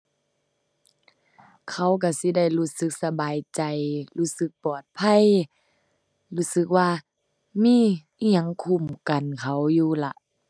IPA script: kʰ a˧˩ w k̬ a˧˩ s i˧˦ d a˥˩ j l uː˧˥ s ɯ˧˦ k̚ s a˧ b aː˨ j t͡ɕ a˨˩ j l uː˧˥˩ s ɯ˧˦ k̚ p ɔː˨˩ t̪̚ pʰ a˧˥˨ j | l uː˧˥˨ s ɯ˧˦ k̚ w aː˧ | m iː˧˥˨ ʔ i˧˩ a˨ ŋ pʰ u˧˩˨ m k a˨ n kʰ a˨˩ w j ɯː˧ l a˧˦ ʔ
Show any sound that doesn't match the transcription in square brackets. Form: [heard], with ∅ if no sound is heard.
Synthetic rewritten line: kʰ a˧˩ w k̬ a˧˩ s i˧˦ d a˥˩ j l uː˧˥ s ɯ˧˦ k̚ s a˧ b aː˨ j t͡ɕ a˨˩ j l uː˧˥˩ s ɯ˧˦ k̚ p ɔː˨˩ t̪̚ pʰ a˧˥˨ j | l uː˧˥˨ s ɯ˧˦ k̚ w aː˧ | m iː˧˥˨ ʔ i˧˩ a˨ ŋ [kʰ] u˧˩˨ m k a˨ n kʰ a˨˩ w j [uː˧] l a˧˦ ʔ

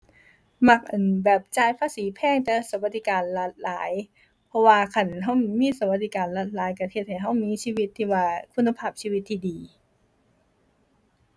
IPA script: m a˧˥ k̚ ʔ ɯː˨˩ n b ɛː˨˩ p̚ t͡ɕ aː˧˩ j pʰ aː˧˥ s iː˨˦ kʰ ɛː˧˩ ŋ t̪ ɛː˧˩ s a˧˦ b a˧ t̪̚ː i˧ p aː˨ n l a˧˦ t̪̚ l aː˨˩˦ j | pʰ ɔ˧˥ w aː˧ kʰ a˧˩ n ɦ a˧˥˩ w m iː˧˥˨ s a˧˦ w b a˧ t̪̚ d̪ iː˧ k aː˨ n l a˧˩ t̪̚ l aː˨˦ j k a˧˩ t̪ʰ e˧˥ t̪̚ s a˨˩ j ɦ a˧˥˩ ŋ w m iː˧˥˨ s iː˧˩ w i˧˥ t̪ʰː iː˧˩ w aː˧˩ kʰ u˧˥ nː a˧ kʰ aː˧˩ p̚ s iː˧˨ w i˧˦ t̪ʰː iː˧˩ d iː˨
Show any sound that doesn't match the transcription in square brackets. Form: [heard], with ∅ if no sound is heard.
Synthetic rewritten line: m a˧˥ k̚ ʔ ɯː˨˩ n b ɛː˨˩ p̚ t͡ɕ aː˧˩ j pʰ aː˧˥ s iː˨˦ [pʰ] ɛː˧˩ ŋ t̪ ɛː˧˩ s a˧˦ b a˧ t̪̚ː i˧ [k] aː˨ n l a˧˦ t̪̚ l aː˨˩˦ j | pʰ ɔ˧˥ w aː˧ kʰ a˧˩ n ɦ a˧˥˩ w m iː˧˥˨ s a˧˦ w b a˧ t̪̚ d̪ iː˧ k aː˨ n l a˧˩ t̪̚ l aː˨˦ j k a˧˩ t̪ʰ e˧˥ t̪̚ [h] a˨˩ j ɦ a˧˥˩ [∅] w m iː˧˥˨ s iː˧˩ w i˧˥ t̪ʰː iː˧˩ w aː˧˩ kʰ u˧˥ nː a˧ [pʰ] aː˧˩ p̚ s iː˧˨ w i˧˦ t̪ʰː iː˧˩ d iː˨

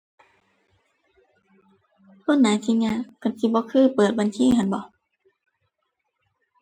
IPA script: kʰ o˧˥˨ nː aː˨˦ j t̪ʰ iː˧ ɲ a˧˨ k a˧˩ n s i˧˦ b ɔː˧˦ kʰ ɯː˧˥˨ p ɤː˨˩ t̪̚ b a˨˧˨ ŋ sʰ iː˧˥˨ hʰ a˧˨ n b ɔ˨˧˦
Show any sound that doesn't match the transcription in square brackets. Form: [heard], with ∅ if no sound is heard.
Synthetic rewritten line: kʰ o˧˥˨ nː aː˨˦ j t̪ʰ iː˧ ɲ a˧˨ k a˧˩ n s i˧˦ b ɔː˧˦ kʰ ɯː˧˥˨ p ɤː˨˩ t̪̚ b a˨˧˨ [n] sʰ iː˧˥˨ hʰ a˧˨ n b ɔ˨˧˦

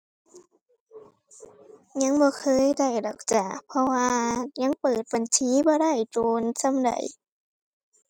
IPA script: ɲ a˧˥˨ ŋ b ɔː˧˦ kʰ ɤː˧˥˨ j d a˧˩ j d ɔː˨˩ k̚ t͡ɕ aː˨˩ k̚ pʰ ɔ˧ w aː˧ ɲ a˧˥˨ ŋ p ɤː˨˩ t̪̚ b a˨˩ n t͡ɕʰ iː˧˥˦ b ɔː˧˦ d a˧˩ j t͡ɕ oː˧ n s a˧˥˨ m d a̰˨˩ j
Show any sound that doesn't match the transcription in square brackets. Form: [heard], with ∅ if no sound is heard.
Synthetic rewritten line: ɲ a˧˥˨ ŋ b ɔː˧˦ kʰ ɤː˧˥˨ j d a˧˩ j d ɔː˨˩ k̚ t͡ɕ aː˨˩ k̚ pʰ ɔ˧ w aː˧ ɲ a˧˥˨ ŋ p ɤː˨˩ t̪̚ b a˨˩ n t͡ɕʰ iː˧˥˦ b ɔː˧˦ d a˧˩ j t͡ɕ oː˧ n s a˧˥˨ m d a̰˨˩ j

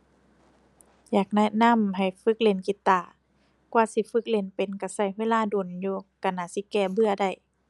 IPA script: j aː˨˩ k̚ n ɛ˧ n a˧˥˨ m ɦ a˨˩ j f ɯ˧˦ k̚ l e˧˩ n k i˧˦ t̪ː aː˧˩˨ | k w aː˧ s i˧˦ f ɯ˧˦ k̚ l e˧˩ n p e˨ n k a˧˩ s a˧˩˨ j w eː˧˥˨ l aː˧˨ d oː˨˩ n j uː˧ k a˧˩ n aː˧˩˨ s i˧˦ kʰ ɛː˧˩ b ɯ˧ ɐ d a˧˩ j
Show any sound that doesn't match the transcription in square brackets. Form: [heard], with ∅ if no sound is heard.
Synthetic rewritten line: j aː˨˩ k̚ n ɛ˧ n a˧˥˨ m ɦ a˨˩ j f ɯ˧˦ k̚ l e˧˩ n k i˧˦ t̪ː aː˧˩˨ | k w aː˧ s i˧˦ f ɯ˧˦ k̚ l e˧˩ n p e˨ n k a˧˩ s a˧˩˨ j w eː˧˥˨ l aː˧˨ d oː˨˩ n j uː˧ k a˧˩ n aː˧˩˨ s i˧˦ [k] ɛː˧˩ b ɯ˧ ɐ d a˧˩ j

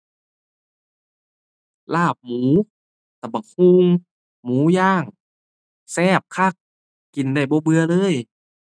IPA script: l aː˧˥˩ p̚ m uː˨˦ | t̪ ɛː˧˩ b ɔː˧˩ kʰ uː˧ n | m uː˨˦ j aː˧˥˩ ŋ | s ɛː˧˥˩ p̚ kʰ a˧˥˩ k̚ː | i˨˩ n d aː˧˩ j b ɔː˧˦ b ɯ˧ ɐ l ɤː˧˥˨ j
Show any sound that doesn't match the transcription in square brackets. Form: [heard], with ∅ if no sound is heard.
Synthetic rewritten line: l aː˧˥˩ p̚ m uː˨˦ | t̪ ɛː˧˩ b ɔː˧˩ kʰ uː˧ [ŋ] | m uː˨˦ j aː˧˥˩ ŋ | s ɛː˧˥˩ p̚ kʰ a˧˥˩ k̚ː | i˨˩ n d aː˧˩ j b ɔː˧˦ b ɯ˧ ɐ l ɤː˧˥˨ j

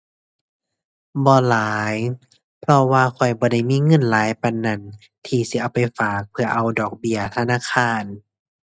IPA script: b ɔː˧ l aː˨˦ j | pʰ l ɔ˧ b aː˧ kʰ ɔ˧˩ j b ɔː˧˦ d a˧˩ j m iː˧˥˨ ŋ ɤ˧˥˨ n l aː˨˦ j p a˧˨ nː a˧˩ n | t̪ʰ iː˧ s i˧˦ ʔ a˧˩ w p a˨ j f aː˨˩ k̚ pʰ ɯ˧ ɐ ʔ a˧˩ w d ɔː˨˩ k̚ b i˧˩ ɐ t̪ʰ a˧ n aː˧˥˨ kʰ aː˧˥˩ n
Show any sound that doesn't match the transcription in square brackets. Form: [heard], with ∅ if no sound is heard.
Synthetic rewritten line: b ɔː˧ l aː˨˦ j | pʰ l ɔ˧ [w] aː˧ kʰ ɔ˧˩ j b ɔː˧˦ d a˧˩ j m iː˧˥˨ ŋ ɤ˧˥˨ n l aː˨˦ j p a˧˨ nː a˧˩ n | t̪ʰ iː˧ s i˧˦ ʔ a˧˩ w p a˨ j f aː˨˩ k̚ pʰ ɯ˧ ɐ ʔ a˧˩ w d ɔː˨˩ k̚ b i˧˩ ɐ t̪ʰ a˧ n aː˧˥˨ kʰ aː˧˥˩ n

